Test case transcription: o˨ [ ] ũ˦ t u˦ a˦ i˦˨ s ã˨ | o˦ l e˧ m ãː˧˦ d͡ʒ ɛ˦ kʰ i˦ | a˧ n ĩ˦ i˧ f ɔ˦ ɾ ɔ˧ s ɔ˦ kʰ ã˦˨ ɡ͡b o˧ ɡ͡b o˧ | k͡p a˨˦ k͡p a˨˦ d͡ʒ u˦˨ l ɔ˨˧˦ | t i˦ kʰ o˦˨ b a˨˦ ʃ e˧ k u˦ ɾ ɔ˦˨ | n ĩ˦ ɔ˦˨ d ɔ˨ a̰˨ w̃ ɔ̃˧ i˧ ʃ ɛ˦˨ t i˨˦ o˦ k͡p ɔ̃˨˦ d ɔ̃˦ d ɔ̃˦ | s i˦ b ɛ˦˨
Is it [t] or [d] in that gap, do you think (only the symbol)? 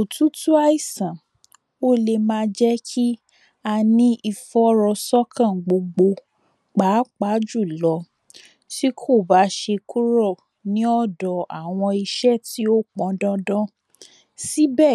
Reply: t